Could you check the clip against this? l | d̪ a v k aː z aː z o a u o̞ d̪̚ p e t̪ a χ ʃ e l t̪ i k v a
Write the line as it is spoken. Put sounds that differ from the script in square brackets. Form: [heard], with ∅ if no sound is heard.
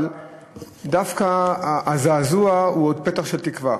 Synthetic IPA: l | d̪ a [f] k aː z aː z [u] a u o̞ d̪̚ p e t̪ a χ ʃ e l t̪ i k v a